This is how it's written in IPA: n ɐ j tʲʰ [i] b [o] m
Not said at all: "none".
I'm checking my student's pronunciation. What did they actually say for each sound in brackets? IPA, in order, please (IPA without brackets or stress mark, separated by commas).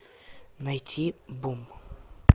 i, u